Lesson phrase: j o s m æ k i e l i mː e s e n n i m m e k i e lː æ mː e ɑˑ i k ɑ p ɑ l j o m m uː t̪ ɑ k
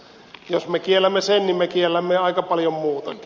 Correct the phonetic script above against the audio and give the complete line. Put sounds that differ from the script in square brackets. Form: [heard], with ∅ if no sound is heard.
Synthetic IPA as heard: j o s m [e] k i e l [æ] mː e s e n n i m m e k i e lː æ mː e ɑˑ i k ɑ p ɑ l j o m m uː t̪ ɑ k